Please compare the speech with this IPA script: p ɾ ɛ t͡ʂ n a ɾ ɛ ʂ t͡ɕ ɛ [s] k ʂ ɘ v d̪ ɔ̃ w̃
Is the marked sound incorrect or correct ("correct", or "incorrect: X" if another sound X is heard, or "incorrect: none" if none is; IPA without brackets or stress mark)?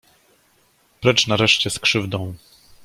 correct